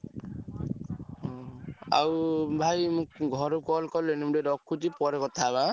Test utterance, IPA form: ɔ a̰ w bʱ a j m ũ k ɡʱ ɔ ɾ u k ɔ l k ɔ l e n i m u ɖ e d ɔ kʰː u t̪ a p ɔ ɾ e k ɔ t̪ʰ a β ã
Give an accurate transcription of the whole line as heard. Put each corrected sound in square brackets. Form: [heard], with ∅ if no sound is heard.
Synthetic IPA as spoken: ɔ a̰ w bʱ a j m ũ k ɡʱ ɔ ɾ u k ɔ l k ɔ l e n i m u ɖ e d ɔ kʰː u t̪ [i] p ɔ ɾ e k ɔ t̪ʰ a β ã